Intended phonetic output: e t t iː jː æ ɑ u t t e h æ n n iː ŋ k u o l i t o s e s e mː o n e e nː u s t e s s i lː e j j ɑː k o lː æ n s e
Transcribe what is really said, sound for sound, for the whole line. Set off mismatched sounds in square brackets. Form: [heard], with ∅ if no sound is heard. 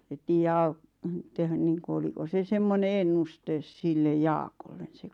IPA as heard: e t t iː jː æ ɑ u t t e h æ n n iː ŋ k u o l i [k] o s e s e mː o n e e nː u s t e s s i lː e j j ɑː k o lː [e] n s e